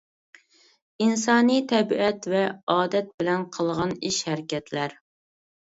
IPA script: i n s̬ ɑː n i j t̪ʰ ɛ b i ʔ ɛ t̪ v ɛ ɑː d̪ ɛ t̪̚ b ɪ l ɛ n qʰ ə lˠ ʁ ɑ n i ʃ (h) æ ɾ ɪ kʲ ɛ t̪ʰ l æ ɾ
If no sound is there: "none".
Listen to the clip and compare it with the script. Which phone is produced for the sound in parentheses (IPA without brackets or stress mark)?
h